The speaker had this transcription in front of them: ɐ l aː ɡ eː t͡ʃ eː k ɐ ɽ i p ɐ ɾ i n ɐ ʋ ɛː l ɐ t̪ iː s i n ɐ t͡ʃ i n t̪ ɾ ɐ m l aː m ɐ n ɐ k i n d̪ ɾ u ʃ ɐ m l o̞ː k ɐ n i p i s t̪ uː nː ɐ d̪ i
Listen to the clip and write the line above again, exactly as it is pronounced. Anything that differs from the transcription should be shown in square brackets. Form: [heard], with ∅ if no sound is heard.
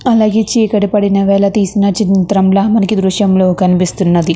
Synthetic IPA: ɐ l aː ɡ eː t͡ʃ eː k ɐ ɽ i p ɐ [ɽ] i n ɐ ʋ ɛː l ɐ t̪ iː s i n ɐ t͡ʃ i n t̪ ɾ ɐ m l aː m ɐ n ɐ k i [∅] d̪ ɾ u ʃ ɐ m l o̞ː k ɐ n i p i s t̪ [u] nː ɐ d̪ i